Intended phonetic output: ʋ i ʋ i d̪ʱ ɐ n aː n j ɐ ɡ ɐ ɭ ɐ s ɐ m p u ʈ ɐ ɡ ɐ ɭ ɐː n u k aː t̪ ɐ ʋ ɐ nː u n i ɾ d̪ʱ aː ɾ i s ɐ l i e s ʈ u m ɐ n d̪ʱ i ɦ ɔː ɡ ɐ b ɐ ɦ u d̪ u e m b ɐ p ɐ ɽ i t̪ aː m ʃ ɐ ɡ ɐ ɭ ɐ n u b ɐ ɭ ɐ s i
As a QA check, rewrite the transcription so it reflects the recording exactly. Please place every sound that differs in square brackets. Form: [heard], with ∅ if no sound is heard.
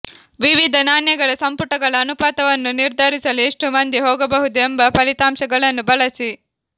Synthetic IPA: ʋ i ʋ i d̪ʱ ɐ n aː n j ɐ ɡ ɐ ɭ ɐ s ɐ m p u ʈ ɐ ɡ ɐ ɭ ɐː n u [p] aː t̪ ɐ ʋ ɐ nː u n i ɾ d̪ʱ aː ɾ i s ɐ l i e [ʂ] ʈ u m ɐ n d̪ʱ i ɦ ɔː ɡ ɐ b ɐ ɦ u d̪ u e m b ɐ p ɐ [l] i t̪ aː m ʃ ɐ ɡ ɐ ɭ ɐ [nː] u b ɐ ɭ ɐ s i